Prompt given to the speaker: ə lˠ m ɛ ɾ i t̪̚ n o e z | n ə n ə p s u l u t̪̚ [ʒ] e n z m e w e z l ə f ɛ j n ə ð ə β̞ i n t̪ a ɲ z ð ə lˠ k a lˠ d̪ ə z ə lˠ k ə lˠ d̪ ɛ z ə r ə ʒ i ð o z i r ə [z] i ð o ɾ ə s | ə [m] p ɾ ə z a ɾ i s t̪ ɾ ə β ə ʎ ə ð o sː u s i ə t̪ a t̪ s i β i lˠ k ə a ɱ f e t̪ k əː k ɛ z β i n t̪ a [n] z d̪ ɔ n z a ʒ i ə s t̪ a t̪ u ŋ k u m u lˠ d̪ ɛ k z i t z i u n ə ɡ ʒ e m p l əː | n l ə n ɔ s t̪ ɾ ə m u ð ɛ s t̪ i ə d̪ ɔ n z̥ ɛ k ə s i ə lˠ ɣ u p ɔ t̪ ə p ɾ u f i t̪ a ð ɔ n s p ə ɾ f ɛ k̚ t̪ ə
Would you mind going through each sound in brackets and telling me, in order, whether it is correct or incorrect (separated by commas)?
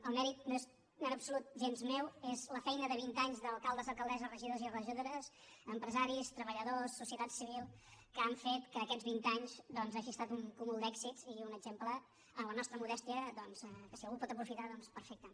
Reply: correct, incorrect, correct, incorrect